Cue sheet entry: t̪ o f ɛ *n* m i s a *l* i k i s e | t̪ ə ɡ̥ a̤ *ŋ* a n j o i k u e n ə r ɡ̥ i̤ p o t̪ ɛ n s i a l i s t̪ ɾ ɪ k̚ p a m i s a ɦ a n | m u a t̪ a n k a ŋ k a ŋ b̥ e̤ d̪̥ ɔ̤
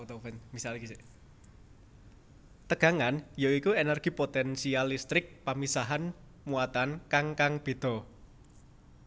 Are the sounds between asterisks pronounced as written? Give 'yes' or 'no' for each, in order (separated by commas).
yes, yes, yes